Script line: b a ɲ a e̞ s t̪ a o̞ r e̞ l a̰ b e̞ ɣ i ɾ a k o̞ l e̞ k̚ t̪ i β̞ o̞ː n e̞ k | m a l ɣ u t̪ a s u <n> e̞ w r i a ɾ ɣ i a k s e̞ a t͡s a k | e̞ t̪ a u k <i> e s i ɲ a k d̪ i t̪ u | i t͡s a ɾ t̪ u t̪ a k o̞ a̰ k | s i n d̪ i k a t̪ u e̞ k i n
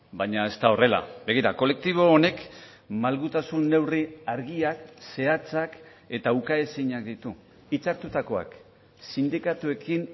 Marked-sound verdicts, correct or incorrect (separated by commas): incorrect, incorrect